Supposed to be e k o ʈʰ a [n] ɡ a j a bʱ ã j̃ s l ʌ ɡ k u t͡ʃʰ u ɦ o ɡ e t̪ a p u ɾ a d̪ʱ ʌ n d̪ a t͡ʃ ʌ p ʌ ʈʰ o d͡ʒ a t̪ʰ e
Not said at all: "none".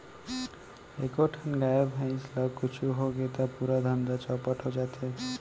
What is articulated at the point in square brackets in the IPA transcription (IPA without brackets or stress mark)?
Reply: n